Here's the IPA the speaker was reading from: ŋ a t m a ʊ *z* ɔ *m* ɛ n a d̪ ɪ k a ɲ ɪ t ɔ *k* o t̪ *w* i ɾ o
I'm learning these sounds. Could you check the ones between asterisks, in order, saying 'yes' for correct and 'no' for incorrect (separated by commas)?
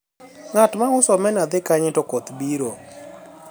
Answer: no, yes, yes, no